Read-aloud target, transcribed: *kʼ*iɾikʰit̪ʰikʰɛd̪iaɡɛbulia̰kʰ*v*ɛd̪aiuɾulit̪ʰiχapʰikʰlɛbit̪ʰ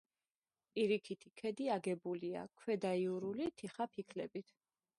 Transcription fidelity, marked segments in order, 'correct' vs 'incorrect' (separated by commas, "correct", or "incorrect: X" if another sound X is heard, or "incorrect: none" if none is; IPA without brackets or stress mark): incorrect: pʼ, incorrect: w